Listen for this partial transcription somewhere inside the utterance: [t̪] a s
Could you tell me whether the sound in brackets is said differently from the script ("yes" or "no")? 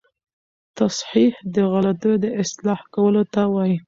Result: no